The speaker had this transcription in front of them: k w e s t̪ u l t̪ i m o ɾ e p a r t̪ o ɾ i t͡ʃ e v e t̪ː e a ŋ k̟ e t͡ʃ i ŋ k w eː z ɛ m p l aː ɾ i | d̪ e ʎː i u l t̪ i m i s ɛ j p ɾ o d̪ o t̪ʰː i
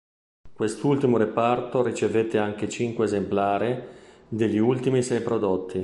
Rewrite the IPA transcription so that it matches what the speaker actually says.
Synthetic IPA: k w e s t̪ u l t̪ i m o ɾ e p a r t̪ o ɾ i t͡ʃ e v e t̪ː e a ŋ k̟ e t͡ʃ i ŋ k w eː z e m p l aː ɾ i | d̪ e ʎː i u l t̪ i m i s ɛ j p ɾ o d̪ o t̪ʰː i

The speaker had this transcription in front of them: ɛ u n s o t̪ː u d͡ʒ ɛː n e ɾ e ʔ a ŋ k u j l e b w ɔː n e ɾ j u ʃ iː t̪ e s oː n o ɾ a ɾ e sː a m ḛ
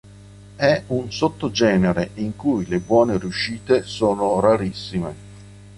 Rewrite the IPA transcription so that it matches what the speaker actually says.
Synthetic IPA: ɛ u n s o t̪ː o d͡ʒ ɛː n e ɾ e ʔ i ŋ k u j l e b w ɔː n e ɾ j u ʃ iː t̪ e s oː n o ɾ a ɾ i sː i m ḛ

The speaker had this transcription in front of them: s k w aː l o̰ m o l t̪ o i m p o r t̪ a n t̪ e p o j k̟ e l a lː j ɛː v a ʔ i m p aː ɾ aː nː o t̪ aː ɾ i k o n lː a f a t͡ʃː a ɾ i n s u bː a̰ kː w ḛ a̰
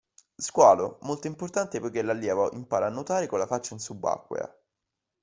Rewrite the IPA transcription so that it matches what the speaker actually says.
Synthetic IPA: s k w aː l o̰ m o l t̪ o i m p o r t̪ a n t̪ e p o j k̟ e l a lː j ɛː v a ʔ i m p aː ɾ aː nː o t̪ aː ɾ e k o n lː a f a t͡ʃː a i n s u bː a̰ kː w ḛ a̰

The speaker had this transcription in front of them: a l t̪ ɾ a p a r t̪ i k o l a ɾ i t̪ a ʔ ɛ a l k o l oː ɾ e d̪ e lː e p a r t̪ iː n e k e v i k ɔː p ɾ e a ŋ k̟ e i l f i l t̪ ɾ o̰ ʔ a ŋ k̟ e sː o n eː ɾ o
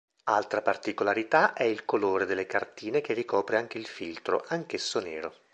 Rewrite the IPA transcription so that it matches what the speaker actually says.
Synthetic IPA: a l t̪ ɾ a p a r t̪ i k o l a ɾ i t̪ a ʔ ɛ i l k o l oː ɾ e d̪ e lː e k a r t̪ iː n e k e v i k ɔː p ɾ e a ŋ k̟ e i l f i l t̪ ɾ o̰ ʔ a ŋ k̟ e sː o n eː ɾ o

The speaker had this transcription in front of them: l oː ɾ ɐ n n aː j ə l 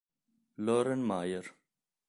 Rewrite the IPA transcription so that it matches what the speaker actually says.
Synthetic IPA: l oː ɾ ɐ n m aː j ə ɾ

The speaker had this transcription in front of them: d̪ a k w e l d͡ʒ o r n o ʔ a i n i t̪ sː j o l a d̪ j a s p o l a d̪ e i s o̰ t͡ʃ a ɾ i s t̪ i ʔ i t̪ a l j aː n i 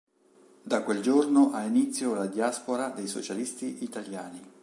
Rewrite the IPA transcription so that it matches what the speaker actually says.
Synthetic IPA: d̪ a k w e l d͡ʒ o r n o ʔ a i n i t̪ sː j o l a d̪ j a s p o ɾ a d̪ e j s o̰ t͡ʃ a l i s t̪ i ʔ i t̪ a l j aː n i

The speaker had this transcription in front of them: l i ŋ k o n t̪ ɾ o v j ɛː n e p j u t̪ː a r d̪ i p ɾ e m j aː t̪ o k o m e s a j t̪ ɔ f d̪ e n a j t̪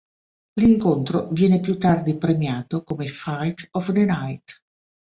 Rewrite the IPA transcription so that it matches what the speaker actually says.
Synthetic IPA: l i ŋ k o n t̪ ɾ o v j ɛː n e p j u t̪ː a r d̪ i p ɾ e m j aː t̪ o k o m e f a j t̪ ɔ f d̪ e n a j t̪

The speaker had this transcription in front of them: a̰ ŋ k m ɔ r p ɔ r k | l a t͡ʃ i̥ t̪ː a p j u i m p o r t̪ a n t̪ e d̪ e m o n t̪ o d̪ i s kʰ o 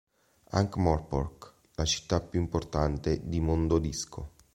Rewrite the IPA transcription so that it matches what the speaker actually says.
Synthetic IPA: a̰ ŋ k m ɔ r p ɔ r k | l a t͡ʃ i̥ t̪ː a p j u i m p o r t̪ a n t̪ e d̪ i m o n d̪ o d̪ i s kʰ o

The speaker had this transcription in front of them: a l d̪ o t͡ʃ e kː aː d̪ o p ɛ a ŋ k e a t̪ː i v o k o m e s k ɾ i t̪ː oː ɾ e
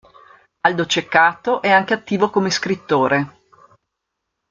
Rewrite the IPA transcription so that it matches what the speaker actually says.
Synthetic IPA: a l d̪ o t͡ʃ e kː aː t̪ o ʔ ɛ a ŋ k e a t̪ː iː v o k o m e s k ɾ i t̪ː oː ɾ e

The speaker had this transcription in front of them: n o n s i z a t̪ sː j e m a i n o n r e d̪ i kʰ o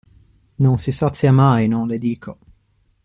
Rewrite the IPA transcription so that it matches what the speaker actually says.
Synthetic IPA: n o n s i s a t̪ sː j a m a j n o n l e d̪ iː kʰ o

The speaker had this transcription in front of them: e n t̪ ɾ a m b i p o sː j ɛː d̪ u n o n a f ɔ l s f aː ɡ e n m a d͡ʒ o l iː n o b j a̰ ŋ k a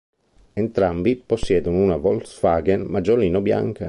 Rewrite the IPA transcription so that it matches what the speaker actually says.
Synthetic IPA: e n t̪ ɾ a m b i p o sː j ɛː d̪ u n u n a v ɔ l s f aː ɡ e n m a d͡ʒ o l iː n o b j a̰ ŋ k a

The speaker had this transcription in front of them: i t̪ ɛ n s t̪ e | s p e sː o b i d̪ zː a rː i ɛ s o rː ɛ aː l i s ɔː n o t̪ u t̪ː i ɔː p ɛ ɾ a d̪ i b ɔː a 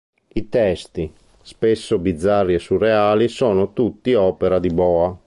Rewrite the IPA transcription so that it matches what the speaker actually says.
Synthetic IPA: i t̪ ɛ s t̪ i | s p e sː o b i d̪ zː a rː i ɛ s u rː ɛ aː l i s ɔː n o t̪ u t̪ː i ɔː p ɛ ɾ a d̪ i b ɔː a

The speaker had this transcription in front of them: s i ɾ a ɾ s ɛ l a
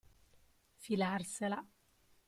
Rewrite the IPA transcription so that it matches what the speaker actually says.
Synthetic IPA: f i l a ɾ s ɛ l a

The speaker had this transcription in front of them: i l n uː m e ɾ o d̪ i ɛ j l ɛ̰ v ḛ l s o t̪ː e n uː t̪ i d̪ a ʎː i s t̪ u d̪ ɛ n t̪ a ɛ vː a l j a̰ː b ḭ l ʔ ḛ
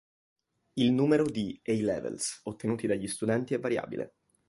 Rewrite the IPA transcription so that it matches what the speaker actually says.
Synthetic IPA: i l n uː m e ɾ o d̪ i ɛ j l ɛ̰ v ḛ l s o t̪ː e n uː t̪ i d̪ a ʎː i s t̪ u d̪ ɛ n t̪ i ɛ vː a ɾ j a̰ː b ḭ l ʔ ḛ

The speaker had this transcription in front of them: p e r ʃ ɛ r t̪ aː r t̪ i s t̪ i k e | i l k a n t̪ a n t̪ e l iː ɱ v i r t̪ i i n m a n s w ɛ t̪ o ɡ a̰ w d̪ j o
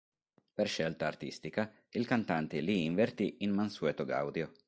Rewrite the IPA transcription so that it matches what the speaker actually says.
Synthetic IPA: p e r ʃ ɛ l t̪ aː r t̪ i s t̪ i k a | i l k a n t̪ a n t̪ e l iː ɱ v e r t̪ i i n m a n s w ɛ t̪ o ɡ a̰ w d̪ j o

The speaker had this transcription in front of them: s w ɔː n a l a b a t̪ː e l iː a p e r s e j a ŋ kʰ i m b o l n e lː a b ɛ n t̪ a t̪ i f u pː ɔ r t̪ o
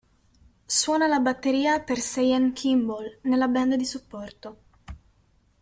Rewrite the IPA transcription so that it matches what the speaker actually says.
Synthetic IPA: s w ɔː n a l a b a t̪ː e ɾ iː a p e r s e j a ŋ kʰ i m b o l n e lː a b ɛ n d̪ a d̪ i s u pː ɔ r t̪ o

